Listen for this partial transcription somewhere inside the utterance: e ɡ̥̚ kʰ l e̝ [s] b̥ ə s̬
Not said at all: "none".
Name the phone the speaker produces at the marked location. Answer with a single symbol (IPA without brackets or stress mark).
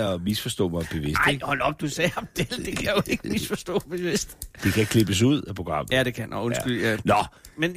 none